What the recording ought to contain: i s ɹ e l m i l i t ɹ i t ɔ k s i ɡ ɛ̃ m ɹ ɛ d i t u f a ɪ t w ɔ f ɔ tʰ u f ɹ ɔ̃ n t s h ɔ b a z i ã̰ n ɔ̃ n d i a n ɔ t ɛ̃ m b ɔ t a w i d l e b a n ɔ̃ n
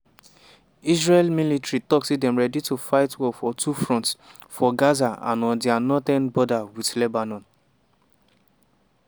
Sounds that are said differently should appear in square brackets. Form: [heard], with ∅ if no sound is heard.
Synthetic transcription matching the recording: i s ɹ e l m i l i t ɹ i t ɔ k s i [d] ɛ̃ m ɹ ɛ d i t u f a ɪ t w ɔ f ɔ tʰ u f ɹ ɔ̃ n t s [f] ɔ [ɡ] a z [a] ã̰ n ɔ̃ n d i a n ɔ t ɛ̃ [n] b ɔ [d] a w i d l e b a n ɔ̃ n